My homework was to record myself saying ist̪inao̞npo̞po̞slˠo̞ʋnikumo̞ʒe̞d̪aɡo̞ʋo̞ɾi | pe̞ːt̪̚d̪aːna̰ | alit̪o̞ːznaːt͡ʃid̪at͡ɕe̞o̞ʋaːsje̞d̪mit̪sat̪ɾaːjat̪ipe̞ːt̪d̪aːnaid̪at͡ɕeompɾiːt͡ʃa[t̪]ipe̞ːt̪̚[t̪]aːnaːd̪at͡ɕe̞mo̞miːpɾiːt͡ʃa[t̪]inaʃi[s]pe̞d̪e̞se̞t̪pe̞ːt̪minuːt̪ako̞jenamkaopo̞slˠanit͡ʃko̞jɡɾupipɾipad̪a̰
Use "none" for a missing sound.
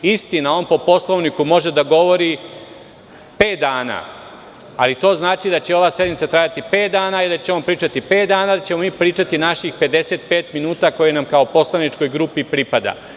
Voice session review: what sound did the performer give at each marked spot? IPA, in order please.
t̪, d̪, t̪, x

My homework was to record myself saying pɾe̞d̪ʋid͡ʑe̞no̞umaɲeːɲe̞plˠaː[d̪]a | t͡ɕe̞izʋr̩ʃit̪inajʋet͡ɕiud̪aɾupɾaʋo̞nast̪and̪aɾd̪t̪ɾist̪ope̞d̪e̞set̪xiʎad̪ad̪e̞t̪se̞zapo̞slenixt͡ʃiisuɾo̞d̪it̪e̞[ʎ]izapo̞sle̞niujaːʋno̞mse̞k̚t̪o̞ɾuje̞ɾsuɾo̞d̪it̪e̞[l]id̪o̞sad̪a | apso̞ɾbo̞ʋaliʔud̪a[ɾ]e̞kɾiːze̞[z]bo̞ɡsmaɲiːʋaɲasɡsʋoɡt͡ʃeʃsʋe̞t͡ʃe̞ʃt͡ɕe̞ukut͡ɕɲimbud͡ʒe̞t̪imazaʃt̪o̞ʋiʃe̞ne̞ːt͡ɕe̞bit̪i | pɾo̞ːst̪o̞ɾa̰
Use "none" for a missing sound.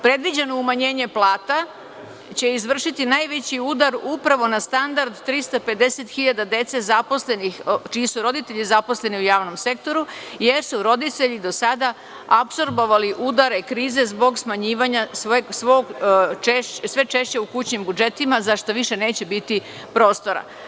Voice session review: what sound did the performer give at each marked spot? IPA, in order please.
t̪, ʎ, ʎ, ɾ, z

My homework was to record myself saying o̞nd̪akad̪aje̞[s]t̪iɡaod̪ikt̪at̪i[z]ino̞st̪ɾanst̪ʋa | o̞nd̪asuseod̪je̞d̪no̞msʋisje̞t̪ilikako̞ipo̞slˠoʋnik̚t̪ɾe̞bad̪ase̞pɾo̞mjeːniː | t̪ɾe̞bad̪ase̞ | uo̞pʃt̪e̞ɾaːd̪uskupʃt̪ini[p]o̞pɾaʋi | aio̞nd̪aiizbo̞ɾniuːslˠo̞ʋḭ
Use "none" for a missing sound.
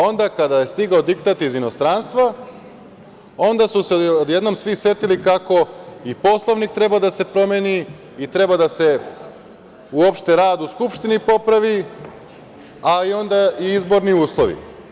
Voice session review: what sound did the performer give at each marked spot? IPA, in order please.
s, z, p

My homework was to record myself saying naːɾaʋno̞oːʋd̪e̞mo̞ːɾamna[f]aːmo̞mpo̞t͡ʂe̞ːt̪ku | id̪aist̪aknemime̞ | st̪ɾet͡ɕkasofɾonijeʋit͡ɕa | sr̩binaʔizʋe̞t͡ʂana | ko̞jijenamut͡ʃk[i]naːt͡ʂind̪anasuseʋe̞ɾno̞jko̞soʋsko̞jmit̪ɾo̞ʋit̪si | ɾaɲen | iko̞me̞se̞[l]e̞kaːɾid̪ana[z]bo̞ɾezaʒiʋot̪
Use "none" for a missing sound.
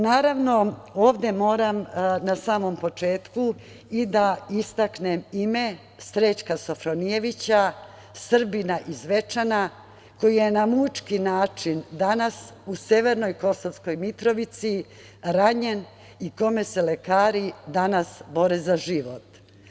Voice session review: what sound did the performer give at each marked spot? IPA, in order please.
s, i, l, s

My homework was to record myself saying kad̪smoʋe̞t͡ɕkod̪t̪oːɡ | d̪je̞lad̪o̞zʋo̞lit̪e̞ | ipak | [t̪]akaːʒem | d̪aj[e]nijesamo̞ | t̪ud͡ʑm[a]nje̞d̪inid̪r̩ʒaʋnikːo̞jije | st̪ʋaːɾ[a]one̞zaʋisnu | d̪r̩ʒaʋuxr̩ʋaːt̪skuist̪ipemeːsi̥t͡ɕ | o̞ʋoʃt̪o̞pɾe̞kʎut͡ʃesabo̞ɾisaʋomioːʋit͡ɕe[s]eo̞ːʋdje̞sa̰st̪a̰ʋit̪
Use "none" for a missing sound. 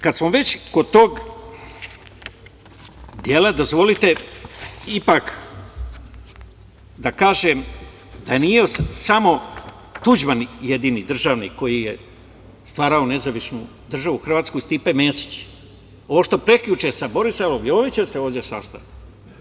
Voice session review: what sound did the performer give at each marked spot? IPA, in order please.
d̪, e, a, a, s

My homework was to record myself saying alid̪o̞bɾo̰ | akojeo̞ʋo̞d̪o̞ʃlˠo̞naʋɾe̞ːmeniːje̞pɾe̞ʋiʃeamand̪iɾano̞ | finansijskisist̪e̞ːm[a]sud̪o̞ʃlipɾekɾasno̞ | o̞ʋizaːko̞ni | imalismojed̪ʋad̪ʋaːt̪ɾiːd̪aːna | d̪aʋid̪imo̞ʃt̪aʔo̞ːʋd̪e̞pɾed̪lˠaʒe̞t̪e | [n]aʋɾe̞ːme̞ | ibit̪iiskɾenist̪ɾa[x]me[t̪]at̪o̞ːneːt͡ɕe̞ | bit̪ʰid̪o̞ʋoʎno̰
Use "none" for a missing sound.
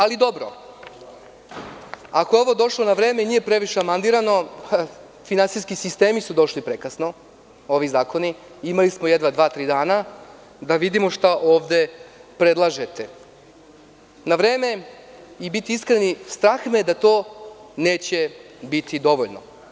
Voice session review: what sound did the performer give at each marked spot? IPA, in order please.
i, n, x, d̪

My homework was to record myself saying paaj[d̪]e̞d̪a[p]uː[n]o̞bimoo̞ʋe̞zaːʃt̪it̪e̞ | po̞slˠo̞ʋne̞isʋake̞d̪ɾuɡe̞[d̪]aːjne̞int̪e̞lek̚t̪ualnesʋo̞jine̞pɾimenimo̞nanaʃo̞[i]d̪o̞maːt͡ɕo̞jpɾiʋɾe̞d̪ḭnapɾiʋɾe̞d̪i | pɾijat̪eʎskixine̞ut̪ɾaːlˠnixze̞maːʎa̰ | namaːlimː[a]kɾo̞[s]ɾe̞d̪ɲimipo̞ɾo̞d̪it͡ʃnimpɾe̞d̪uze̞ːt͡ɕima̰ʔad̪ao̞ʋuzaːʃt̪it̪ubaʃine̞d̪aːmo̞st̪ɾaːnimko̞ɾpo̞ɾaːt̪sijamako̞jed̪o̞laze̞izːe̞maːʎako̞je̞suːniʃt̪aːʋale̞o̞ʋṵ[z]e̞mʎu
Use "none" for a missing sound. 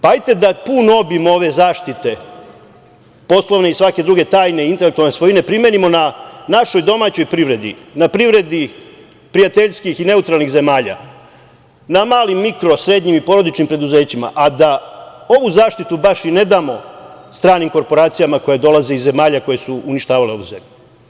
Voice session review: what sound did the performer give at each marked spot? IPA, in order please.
t̪, p, n, t̪, j, i, s, z

